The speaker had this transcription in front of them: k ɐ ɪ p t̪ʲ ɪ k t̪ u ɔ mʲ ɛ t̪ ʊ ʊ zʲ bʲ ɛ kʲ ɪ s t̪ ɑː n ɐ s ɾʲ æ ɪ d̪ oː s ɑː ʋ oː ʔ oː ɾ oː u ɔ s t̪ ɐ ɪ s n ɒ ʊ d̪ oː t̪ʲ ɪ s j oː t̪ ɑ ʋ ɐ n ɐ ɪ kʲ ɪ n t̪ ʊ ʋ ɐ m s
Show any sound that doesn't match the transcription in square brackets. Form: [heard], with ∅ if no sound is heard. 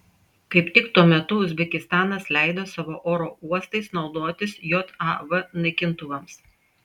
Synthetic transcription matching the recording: k ɐ ɪ p t̪ʲ ɪ k t̪ u ɔ mʲ ɛ t̪ ʊ ʊ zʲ bʲ ɛ kʲ ɪ s t̪ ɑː n ɐ s [lʲ] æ ɪ d̪ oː s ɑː ʋ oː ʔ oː ɾ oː u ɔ s t̪ ɐ ɪ s n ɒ ʊ d̪ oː t̪ʲ ɪ s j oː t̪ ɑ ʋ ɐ n ɐ ɪ kʲ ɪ n t̪ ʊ ʋ ɐ m s